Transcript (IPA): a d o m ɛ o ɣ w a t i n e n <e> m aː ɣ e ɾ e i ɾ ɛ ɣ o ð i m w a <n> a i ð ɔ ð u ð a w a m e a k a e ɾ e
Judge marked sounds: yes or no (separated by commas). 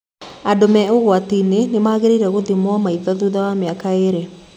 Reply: yes, no